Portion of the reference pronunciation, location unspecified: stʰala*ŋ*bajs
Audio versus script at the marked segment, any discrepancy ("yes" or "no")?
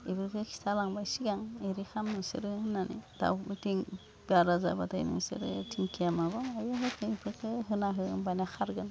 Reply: no